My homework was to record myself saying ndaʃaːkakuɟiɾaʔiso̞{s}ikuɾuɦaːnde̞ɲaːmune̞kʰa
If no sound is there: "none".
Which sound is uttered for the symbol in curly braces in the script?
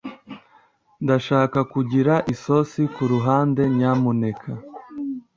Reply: s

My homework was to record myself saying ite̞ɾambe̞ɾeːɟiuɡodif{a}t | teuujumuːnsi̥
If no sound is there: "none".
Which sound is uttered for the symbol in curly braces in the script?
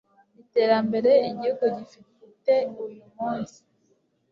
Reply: i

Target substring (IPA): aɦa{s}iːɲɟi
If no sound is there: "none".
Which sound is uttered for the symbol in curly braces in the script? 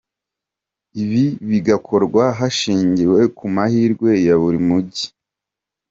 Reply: ʃ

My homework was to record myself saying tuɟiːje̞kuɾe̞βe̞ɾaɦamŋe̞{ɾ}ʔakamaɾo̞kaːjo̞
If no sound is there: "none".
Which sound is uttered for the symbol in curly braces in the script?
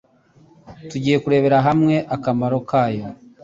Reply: none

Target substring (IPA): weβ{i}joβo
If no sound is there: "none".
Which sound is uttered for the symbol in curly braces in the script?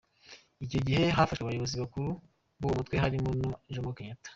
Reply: a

